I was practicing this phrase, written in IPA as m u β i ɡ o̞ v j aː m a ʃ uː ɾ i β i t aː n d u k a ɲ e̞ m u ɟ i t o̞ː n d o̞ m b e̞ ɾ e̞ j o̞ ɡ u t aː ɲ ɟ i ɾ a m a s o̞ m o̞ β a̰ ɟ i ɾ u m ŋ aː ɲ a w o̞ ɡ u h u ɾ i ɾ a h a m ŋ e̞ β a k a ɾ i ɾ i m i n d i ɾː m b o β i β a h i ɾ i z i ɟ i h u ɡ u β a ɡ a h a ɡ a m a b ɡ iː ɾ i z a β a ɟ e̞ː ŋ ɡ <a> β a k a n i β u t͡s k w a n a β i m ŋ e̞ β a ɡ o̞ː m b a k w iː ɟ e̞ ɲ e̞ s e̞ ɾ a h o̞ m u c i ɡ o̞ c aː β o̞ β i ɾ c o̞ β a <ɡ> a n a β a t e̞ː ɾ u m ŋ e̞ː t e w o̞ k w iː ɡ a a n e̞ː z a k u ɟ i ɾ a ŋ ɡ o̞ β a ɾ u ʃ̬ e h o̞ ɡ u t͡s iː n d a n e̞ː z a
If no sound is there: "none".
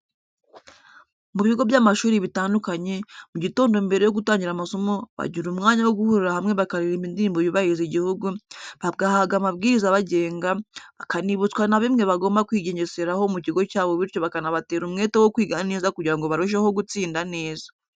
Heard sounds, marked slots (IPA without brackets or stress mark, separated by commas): a, k